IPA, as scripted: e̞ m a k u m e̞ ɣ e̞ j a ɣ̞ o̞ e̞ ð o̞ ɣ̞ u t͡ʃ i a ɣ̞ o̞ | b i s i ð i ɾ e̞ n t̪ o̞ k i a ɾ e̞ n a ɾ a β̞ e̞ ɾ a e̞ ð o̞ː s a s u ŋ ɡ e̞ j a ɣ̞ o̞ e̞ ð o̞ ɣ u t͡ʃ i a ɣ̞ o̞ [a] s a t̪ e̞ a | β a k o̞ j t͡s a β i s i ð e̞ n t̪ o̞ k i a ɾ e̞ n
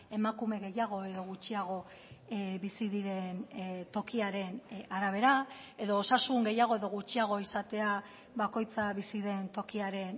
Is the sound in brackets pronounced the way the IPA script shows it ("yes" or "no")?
no